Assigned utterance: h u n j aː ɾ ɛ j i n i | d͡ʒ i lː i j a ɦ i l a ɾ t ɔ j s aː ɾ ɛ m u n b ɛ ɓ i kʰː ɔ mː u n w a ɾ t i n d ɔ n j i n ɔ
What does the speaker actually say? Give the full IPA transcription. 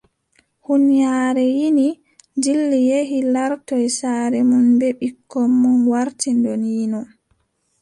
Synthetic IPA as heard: h u n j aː ɾ ɛ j i n i | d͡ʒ i lː i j e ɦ i l a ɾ t ɔ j s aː ɾ ɛ m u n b ɛ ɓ i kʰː ɔ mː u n w a ɾ t i n d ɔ n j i n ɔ